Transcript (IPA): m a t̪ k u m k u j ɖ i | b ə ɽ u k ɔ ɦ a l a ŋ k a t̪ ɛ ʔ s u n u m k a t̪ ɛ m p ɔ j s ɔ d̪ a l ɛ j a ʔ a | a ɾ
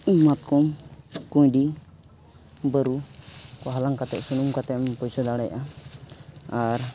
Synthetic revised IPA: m a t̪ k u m k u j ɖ i | b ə ɾ u k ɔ ɦ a l a ŋ k a t̪ ɛ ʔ s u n u m k a t̪ ɛ m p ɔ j s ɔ d̪ a ɽ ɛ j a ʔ a | a ɾ